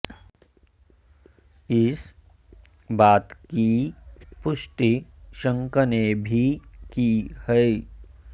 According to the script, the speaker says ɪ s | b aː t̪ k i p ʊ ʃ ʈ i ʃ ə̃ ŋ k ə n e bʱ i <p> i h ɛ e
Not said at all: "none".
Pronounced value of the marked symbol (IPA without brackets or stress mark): k